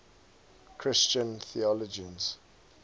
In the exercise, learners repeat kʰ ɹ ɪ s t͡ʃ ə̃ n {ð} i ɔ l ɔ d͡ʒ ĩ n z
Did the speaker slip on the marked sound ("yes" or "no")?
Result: yes